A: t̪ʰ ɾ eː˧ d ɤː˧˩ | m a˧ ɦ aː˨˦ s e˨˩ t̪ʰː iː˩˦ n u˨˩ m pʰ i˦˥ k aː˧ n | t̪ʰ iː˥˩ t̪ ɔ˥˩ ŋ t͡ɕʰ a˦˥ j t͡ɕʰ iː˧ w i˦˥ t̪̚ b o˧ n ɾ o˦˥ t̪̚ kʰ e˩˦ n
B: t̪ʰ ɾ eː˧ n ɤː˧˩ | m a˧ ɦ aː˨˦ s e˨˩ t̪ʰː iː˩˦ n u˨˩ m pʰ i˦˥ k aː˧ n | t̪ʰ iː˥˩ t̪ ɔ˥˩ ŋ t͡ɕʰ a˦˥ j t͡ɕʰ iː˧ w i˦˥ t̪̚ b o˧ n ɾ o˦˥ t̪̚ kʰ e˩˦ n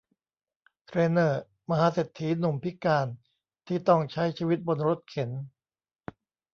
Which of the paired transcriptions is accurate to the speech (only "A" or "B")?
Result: B